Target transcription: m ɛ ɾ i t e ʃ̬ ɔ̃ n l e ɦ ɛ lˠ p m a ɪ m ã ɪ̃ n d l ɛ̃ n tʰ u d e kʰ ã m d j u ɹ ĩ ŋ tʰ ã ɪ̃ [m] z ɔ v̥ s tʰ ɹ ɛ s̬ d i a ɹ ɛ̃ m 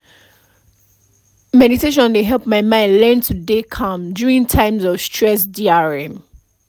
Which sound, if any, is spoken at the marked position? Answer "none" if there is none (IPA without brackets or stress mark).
m